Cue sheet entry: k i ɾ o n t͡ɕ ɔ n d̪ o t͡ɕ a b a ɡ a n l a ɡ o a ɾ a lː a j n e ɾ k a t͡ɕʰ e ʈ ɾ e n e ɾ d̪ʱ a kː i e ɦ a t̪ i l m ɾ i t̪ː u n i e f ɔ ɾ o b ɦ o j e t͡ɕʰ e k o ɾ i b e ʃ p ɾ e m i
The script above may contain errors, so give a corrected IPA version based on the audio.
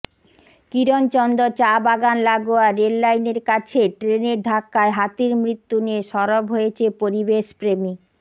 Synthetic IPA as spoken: k i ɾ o n t͡ɕ ɔ n d̪ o t͡ɕ a b a ɡ a n l a ɡ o a ɾ e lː a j n e ɾ k a t͡ɕʰ e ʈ ɾ e n e ɾ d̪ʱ a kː a e ɦ a t̪ i ɾ m ɾ i t̪ː u n i e ʃ ɔ ɾ o b ɦ o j e t͡ɕʰ e p o ɾ i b e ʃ p ɾ e m i